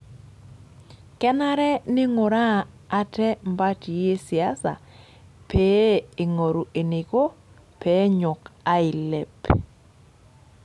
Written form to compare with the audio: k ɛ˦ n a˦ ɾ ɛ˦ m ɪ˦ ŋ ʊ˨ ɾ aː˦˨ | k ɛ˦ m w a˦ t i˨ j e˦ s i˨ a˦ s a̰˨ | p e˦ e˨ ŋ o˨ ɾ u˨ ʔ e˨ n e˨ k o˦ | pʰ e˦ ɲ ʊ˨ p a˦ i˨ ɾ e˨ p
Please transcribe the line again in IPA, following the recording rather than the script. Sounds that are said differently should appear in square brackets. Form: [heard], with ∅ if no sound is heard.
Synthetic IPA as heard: k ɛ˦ n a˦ ɾ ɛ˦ [n] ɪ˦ ŋ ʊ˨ ɾ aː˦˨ | [t] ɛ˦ m [b] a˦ t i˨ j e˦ s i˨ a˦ s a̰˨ | p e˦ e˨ ŋ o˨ ɾ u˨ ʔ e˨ n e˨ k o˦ | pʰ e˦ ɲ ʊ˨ [k] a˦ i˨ [l] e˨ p